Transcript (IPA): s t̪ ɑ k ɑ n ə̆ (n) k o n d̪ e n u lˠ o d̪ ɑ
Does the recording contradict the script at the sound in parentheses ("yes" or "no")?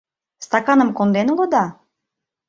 yes